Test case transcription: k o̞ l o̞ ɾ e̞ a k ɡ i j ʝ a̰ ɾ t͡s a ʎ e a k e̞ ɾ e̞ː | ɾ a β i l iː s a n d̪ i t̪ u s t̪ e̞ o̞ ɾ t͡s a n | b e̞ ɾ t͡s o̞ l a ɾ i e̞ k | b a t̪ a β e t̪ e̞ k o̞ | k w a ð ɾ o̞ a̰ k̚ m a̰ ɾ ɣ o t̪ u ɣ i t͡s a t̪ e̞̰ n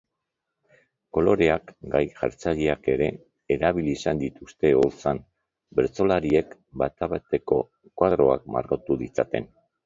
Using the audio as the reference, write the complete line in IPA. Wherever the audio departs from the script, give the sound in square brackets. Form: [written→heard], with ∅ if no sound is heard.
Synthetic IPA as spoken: k o̞ l o̞ ɾ e̞ a k ɡ [i→a] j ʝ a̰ ɾ t͡s a ʎ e a k e̞ ɾ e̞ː | ɾ a β i l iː s a n d̪ i t̪ u s t̪ e̞ o̞ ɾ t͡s a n | b e̞ ɾ t͡s o̞ l a ɾ i e̞ k | b a t̪ a β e t̪ e̞ k o̞ | k w a ð ɾ o̞ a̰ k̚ m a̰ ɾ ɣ o t̪ u [ɣ→ð] i t͡s a t̪ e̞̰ n